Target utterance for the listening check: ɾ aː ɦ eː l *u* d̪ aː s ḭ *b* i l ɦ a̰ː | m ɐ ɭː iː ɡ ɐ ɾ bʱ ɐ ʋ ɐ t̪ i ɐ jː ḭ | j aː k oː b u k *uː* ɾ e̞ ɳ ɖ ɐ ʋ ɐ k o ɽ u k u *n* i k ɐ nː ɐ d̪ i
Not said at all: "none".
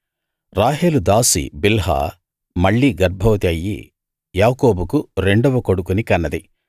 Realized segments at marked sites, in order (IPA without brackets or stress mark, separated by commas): u, b, u, n